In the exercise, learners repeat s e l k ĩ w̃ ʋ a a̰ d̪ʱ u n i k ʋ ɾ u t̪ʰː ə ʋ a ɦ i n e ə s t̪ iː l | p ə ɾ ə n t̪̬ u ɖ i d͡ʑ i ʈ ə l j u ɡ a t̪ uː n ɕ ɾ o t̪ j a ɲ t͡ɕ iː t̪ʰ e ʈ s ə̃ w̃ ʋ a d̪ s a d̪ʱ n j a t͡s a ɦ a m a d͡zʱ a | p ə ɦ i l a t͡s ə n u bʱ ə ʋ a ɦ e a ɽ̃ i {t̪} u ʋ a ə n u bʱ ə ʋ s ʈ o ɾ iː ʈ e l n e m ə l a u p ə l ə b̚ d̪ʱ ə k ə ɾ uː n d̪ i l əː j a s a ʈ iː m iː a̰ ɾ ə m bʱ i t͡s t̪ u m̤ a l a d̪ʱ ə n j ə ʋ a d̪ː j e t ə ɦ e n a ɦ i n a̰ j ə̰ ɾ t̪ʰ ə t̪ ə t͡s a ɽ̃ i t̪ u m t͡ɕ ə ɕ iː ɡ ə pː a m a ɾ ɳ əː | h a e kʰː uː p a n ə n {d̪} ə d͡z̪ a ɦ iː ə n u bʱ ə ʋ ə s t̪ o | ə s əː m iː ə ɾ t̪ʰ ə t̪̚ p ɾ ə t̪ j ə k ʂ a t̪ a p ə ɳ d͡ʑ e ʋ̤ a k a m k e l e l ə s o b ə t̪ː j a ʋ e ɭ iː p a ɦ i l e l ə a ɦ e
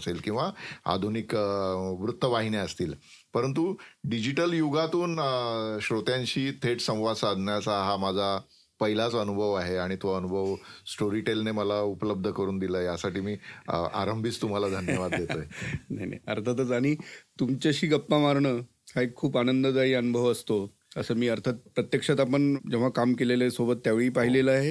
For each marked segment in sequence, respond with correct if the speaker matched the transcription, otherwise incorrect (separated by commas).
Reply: correct, correct